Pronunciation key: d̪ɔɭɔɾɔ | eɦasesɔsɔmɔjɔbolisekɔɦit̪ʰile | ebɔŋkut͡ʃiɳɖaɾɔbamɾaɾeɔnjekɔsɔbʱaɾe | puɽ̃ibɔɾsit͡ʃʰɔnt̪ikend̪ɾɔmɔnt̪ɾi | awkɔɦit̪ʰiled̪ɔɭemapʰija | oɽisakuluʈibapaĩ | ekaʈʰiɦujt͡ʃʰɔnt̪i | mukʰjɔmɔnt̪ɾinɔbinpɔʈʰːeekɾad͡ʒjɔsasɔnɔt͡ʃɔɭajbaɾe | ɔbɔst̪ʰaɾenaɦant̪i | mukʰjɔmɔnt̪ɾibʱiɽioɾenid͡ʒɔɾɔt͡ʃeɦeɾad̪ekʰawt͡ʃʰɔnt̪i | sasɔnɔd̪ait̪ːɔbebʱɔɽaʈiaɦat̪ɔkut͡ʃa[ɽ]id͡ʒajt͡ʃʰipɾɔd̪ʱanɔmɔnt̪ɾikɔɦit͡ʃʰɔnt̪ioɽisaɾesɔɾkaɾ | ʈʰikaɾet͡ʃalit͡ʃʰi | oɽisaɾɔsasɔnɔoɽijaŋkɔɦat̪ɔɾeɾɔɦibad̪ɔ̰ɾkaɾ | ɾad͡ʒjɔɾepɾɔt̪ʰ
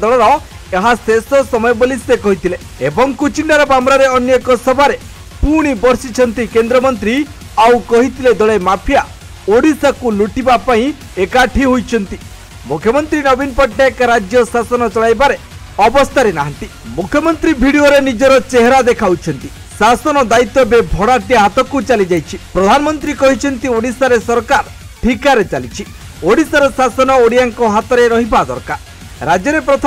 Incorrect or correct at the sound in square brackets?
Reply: incorrect: l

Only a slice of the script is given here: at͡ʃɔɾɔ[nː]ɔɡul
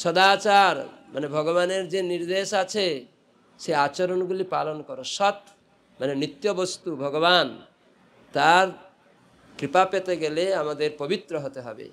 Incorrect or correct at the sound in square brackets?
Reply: incorrect: n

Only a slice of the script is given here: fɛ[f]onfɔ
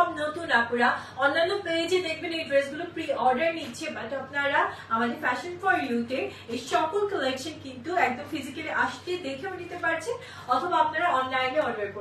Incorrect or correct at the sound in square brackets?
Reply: incorrect: ʃ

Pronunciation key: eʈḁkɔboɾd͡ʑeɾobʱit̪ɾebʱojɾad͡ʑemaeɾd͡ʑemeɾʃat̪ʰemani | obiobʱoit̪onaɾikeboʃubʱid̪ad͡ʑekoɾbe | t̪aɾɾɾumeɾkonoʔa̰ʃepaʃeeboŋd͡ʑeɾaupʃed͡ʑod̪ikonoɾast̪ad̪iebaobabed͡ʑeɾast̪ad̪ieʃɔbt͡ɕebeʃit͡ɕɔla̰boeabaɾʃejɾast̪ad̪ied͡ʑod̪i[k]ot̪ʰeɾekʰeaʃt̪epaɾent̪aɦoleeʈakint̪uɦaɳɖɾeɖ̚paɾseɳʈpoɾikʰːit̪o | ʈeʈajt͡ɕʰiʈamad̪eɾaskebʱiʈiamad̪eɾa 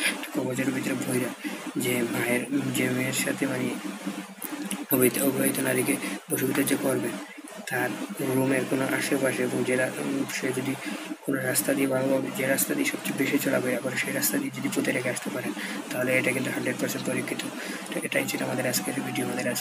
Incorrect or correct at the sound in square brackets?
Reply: incorrect: p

